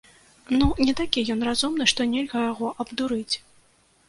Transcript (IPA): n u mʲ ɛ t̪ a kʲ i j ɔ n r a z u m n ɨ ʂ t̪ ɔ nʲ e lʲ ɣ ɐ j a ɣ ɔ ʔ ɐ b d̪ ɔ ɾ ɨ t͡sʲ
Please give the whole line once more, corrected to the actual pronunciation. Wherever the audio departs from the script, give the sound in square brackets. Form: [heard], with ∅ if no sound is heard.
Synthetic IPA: n u [nʲ] ɛ t̪ a kʲ i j ɔ n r a z u m n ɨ ʂ t̪ ɔ nʲ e lʲ ɣ ɐ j a ɣ ɔ ʔ ɐ b d̪ [u] ɾ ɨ t͡sʲ